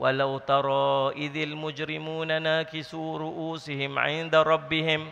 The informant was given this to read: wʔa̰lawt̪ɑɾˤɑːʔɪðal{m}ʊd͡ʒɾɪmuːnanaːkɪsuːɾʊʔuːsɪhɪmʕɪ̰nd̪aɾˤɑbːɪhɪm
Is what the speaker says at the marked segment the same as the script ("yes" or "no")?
yes